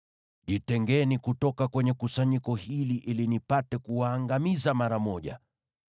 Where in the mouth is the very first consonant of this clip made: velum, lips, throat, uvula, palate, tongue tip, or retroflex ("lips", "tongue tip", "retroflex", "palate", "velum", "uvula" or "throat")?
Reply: palate